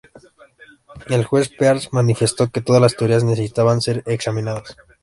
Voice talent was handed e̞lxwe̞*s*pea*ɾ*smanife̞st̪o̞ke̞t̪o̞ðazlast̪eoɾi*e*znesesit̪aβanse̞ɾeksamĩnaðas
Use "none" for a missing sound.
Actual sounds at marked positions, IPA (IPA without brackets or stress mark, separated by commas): s, ɾ, a